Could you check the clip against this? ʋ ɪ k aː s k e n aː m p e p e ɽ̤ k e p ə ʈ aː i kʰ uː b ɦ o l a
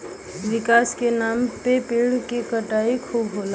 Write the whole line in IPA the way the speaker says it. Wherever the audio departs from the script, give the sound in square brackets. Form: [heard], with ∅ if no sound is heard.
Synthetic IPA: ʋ ɪ k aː s k e n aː m p e p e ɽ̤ k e [k] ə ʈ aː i kʰ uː b ɦ o l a